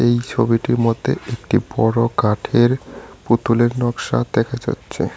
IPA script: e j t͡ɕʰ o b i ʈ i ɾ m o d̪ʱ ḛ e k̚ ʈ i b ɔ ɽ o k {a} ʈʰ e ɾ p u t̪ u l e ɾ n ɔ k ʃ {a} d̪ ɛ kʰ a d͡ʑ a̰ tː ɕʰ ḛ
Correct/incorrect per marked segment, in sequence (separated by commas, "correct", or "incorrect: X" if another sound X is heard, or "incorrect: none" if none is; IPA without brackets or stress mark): correct, correct